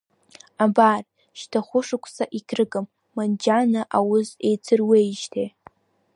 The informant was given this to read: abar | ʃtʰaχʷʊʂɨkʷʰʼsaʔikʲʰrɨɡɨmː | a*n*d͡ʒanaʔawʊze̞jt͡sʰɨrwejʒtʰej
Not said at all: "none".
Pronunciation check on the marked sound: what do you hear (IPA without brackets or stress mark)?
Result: n